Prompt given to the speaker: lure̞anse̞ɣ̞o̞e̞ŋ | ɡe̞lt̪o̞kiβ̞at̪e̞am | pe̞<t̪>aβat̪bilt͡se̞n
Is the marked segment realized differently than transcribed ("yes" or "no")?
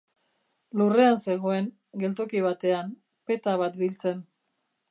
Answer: no